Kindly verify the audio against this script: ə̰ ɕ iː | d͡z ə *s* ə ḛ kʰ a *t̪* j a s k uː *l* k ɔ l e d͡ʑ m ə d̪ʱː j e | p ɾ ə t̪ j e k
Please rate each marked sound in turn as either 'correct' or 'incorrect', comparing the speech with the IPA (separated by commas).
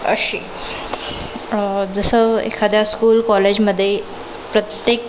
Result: correct, incorrect, correct